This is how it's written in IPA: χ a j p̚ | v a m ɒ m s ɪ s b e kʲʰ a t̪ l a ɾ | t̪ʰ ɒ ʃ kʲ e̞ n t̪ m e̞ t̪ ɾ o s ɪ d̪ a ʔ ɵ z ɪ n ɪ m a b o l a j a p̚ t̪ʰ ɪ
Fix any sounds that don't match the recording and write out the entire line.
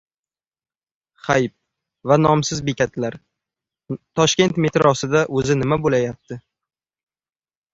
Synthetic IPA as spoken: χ a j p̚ | v a n ɒ m s ɪ z b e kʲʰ a t̪ l a ɾ | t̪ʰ ɒ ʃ kʲ e̞ n t̪ m e̞ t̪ ɾ ɒ s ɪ d̪ a ʔ ɵ z ɪ n ɪ m a b o l a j a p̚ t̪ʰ ɪ

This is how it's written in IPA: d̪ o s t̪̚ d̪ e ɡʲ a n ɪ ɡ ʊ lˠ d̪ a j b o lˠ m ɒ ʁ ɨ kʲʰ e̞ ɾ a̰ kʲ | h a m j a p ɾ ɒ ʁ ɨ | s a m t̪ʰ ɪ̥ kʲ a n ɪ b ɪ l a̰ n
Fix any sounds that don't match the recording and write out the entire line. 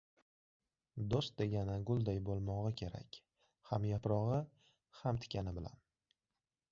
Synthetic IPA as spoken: d̪ o s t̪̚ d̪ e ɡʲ a n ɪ ɡ ʊ lˠ d̪ a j b o lˠ m ɒ ʁ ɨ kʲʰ e̞ ɾ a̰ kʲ | h a m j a p ɾ ɒ ʁ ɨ | h a m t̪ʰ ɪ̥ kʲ a n ɪ b ɪ l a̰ n

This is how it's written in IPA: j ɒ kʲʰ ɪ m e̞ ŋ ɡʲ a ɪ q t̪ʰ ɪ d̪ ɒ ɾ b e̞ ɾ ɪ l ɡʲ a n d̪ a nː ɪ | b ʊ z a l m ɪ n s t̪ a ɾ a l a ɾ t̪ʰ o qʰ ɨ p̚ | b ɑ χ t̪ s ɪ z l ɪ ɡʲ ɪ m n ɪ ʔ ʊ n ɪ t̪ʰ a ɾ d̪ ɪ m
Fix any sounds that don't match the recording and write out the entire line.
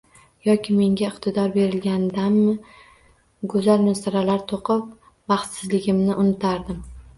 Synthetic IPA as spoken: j ɒ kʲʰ ɪ m e̞ ŋ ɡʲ a ɪ q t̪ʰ ɪ d̪ ɒ ɾ b e̞ ɾ ɪ l ɡʲ a n d̪ a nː ɪ | ɡ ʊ z a l m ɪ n s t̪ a ɾ a l a ɾ t̪ʰ o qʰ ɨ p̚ | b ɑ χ t̪ s ɪ z l ɪ ɡʲ ɪ m n ɪ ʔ ʊ n ɪ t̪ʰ a ɾ d̪ ɪ m

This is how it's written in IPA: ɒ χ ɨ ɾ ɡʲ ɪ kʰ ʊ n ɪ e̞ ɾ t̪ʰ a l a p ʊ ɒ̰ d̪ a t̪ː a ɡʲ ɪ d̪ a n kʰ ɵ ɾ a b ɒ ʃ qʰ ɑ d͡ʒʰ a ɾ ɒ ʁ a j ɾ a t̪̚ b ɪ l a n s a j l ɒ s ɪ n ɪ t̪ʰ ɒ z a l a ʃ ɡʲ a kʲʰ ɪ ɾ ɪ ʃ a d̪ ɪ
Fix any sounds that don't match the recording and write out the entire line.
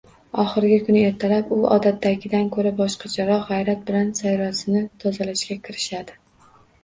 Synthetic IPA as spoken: ɒ χ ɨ ɾ ɡʲ ɪ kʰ ʊ n ɪ e̞ ɾ t̪ʰ a l a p ʊ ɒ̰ d̪ a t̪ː a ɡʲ ɪ d̪ a n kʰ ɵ ɾ a b ɒ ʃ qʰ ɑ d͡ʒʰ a ɾ ɒ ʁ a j ɾ a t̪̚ b ɪ l a n s a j ɾ ɒ s ɪ n ɪ t̪ʰ ɒ z a l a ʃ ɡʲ a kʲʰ ɪ ɾ ɪ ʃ a d̪ ɪ

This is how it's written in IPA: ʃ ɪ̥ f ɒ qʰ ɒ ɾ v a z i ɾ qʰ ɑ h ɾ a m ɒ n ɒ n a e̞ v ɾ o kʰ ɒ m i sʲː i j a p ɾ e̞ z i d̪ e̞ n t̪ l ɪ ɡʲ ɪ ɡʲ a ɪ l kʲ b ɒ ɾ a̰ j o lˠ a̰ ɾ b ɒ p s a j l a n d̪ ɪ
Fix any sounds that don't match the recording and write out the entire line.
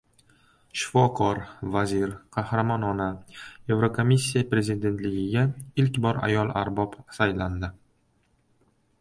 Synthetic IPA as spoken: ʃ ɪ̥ f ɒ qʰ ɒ ɾ v a z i ɾ qʰ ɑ h ɾ a m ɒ n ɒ n a e̞ v ɾ o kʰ o m i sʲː i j a p ɾ e̞ z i d̪ e̞ n t̪ l ɪ ɡʲ ɪ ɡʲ a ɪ l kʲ b ɒ ɾ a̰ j ɒ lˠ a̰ ɾ b ɒ p s a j l a n d̪ ɪ

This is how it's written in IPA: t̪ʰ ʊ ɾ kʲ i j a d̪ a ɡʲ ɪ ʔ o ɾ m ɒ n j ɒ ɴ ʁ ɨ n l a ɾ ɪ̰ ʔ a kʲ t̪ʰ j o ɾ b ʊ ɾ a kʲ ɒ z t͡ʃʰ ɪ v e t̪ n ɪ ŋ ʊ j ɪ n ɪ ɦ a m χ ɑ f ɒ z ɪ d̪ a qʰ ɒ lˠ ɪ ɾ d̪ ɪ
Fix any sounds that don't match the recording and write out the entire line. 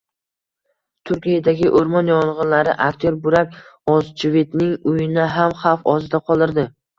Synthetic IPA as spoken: t̪ʰ ʊ ɾ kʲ i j a d̪ a ɡʲ ɪ ʔ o ɾ m ɒ n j ɒ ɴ ʁ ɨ n l a ɾ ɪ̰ ʔ a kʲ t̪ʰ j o ɾ b ʊ ɾ a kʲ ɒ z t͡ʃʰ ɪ v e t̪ n ɪ ŋ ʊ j ɪ n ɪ ɦ a m χ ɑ f ɒ z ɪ d̪ a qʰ ɒ lˠ ɪ ɾ d̪ ɪ

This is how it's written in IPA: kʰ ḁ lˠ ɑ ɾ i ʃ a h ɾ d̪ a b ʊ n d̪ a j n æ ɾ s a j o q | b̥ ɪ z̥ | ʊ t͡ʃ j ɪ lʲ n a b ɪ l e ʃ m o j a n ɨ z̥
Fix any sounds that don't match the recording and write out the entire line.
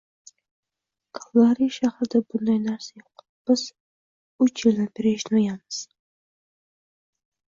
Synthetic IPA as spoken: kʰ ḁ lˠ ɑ ɾ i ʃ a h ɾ d̪ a b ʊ n d̪ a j n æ ɾ s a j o q | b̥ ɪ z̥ | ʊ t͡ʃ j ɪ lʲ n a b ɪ ɾ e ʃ n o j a m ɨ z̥

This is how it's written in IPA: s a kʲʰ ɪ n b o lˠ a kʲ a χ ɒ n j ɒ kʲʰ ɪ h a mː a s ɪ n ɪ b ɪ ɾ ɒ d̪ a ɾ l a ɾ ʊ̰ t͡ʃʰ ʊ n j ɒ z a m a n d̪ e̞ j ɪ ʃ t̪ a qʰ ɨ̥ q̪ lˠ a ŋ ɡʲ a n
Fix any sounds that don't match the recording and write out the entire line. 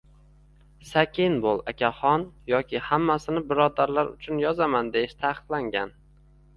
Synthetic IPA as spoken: s a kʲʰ ɪ n b o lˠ a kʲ a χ ɒ n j ɒ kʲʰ ɪ h a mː a s ɪ n ɪ b ɪ ɾ ɒ d̪ a ɾ l a ɾ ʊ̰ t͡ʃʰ ʊ n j ɒ z a m a n d̪ e̞ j ɪ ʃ t̪ʰ a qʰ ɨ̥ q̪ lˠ a ŋ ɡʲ a n

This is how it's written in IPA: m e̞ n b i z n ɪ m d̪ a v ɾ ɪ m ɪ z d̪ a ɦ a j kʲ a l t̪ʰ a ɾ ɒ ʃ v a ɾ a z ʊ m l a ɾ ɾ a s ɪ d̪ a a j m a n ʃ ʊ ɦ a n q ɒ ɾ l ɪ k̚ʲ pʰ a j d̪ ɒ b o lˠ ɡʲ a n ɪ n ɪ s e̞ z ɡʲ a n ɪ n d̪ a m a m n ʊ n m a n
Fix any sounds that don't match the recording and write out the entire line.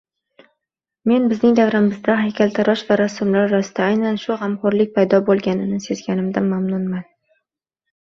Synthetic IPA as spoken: m e̞ n b ɪ z n ɪ ŋ d̪ a v ɾ ɪ m ɪ z d̪ a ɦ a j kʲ a l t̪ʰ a ɾ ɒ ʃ v a ɾ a s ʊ m l a ɾ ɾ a s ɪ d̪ a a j n a n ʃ ʊ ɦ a m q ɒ ɾ l ɪ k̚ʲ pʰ a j d̪ ɒ b o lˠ ɡʲ a n ɪ n ɪ s e̞ z ɡʲ a n ɪ m d̪ a m a m n ʊ n m a n

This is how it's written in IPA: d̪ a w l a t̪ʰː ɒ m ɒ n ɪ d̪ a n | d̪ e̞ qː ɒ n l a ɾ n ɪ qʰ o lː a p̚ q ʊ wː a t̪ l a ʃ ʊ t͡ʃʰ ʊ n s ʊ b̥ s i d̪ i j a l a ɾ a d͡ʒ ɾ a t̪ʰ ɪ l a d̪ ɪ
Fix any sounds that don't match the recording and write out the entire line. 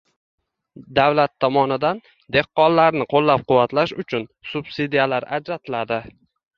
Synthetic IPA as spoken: d̪ a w l a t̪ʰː ɒ m ɒ n ɪ d̪ a n | d̪ e̞ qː ɒ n l a ɾ n ɪ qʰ o lː a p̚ q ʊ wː a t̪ l a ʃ ʊ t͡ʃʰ ʊ n s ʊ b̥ s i d̪ i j a l a ɾ a d͡ʒ ɾ a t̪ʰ ɪ l a d̪ ɪ

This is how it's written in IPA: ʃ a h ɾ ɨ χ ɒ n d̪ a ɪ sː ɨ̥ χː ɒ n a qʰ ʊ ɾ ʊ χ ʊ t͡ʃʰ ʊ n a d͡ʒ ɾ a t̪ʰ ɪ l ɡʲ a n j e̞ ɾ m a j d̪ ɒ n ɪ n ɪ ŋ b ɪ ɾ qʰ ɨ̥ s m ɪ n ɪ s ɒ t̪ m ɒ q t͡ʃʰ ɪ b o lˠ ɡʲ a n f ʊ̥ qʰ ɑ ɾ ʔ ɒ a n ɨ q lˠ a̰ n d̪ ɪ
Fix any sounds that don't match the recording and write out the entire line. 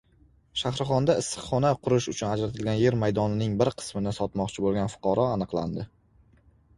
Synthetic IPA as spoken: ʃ a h ɾ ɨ χ ɒ n d̪ a ɪ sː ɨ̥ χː ɒ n a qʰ ʊ ɾ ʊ ʃ ʊ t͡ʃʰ ʊ n a d͡ʒ ɾ a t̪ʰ ɪ l ɡʲ a n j e̞ ɾ m a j d̪ ɒ n ɪ n ɪ ŋ b ɪ ɾ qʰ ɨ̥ s m ɪ n ɪ s ɒ t̪ m ɒ q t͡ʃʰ ɪ b o lˠ ɡʲ a n f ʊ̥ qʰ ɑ ɾ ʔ ɒ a n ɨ q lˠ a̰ n d̪ ɪ

